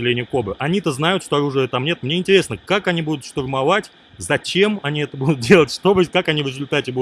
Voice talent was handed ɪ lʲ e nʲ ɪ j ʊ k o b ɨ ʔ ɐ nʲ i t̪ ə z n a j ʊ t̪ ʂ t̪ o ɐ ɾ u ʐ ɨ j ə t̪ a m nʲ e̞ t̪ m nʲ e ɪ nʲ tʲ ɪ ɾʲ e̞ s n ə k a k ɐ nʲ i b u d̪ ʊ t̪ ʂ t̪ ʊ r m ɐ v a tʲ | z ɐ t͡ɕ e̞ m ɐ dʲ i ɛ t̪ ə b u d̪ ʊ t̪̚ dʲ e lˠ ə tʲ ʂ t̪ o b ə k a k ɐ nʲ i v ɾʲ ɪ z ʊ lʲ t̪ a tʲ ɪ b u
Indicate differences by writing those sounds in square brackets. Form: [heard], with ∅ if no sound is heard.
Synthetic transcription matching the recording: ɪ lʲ e nʲ ɪ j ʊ k o b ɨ ʔ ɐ nʲ i t̪ ə z n a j ʊ t̪ ʂ t̪ o ɐ ɾ u ʐ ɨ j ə t̪ a m nʲ e̞ t̪ m nʲ e ɪ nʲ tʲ ɪ ɾʲ e̞ s n ə k a k ɐ nʲ i b u d̪ ʊ t̪ ʂ t̪ ʊ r m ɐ v a tʲ | z ɐ t͡ɕ e̞ m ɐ [nʲ] i ɛ t̪ ə b u d̪ ʊ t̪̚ dʲ e lˠ ə tʲ ʂ t̪ o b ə k a k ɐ nʲ i v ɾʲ ɪ z ʊ lʲ t̪ a tʲ ɪ b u